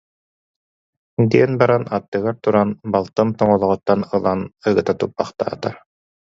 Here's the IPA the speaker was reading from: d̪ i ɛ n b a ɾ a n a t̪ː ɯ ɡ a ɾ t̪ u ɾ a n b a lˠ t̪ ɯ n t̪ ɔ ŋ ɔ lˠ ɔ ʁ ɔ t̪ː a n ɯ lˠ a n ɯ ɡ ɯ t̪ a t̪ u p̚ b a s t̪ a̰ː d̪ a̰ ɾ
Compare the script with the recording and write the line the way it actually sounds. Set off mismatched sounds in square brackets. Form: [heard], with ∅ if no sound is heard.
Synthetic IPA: d̪ i ɛ n b a ɾ a n a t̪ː ɯ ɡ a ɾ t̪ u ɾ a n b a lˠ t̪ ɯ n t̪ ɔ ŋ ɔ lˠ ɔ ʁ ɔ t̪ː a n ɯ lˠ a n ɯ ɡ ɯ t̪ a t̪ u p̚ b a [χ] t̪ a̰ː [t̪] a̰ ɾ